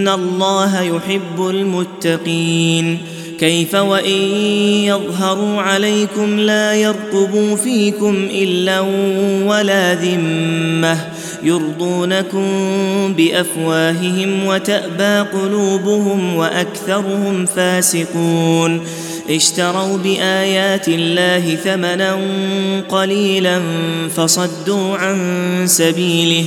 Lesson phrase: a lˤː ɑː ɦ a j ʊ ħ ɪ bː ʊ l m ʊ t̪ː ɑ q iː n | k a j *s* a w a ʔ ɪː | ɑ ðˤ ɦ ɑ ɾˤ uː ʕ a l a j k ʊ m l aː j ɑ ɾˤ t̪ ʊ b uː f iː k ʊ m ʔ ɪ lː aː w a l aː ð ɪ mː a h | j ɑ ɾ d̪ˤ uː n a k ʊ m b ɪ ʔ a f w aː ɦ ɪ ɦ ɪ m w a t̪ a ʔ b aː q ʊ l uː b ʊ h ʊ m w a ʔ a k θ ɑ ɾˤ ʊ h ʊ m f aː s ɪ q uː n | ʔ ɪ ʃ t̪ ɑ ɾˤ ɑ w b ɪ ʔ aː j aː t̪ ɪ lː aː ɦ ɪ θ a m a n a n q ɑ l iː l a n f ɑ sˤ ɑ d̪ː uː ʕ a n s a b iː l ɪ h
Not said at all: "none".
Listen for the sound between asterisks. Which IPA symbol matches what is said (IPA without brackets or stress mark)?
f